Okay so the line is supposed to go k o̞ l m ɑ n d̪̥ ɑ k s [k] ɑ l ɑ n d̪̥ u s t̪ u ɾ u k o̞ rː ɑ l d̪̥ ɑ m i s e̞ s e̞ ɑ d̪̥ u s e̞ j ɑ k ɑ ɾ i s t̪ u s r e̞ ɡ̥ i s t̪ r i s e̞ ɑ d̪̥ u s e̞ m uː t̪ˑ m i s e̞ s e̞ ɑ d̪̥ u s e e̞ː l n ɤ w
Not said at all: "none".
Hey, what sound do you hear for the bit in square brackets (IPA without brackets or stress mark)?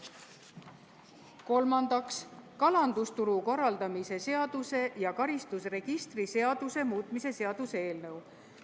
k